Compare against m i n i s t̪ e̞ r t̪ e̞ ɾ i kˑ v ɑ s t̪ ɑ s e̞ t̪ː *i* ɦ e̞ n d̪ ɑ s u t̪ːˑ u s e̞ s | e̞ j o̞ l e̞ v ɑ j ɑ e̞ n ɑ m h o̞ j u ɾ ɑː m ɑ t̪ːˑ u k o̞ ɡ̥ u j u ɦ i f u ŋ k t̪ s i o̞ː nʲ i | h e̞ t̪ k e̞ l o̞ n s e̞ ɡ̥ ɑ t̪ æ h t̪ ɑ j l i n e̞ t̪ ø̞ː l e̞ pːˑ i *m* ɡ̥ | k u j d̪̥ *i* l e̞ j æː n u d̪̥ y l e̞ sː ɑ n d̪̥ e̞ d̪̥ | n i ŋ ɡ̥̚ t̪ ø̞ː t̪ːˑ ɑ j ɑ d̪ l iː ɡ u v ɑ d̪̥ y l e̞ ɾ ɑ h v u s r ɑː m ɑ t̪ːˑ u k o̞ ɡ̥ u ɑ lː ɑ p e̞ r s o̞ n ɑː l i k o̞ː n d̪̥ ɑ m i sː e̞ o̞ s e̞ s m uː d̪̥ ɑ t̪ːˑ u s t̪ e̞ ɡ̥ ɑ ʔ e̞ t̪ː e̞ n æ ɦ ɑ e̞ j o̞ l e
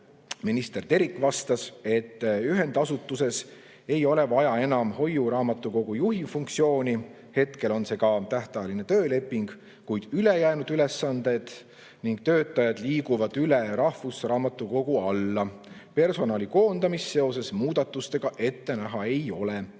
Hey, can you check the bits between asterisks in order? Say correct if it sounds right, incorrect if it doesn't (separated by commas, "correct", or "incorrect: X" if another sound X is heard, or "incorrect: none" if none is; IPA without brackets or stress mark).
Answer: incorrect: y, incorrect: ŋ, incorrect: y